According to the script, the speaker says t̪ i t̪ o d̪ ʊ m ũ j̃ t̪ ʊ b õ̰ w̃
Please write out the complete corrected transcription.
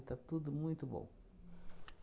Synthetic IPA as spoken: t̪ a t̪ u d̪ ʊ m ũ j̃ t̪ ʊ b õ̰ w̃